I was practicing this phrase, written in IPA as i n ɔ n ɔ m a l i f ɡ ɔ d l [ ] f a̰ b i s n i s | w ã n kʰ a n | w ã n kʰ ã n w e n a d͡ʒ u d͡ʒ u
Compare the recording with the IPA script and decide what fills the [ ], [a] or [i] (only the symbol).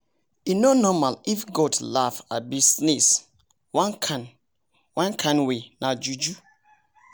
a